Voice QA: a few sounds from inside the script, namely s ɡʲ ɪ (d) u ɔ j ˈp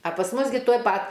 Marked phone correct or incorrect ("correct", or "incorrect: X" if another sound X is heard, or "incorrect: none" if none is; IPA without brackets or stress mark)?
incorrect: t